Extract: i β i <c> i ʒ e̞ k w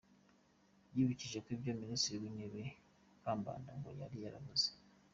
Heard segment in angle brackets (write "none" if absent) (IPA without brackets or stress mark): c